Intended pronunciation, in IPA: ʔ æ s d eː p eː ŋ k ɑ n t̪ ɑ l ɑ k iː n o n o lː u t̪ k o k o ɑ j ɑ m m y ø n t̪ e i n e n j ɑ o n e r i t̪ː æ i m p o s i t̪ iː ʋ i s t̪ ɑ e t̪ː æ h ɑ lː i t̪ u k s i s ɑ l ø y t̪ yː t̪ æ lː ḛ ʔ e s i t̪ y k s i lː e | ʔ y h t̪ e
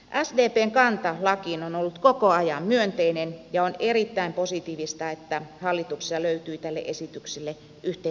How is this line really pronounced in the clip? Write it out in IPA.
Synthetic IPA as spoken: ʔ æ s d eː p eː ŋ k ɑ n t̪ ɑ l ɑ k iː n o n o lː u t̪ k o k o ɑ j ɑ m m y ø n t̪ e i n e n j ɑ o n e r i t̪ː æ i m p o s i t̪ iː ʋ i s t̪ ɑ e t̪ː æ h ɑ lː i t̪ u k s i s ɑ l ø y t̪ yː t̪ æ lː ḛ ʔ e s i t̪ y k s i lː e | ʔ y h t̪ e